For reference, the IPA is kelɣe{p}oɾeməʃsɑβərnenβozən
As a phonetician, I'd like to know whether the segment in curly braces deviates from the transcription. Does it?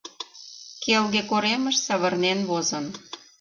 yes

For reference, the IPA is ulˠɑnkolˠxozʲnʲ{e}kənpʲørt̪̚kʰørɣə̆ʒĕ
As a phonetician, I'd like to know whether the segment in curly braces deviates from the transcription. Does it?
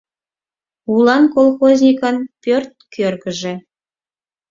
yes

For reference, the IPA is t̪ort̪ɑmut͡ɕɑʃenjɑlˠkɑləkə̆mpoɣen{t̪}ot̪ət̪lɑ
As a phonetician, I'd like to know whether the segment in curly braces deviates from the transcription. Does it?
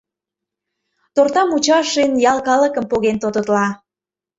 no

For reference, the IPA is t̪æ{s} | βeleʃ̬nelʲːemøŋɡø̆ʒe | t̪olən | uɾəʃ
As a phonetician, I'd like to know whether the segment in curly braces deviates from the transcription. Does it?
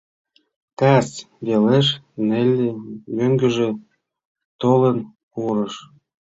no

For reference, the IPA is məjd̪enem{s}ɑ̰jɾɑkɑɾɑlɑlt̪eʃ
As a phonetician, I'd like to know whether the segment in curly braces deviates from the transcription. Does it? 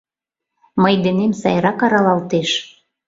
no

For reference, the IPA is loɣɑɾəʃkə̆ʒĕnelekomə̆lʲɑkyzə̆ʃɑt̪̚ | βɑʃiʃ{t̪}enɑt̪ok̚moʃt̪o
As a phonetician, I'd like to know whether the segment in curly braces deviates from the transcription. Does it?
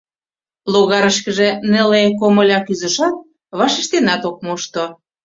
no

